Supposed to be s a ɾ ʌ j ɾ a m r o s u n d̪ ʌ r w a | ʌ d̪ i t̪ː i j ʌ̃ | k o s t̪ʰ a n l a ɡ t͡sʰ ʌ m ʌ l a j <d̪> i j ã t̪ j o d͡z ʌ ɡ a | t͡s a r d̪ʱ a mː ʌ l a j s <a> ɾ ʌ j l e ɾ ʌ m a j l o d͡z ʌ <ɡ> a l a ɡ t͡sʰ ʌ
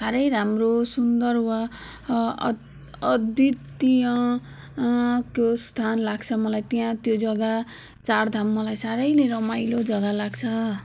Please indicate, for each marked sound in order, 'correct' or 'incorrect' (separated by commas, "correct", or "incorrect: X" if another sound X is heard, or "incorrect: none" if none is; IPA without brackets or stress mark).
incorrect: t̪, correct, correct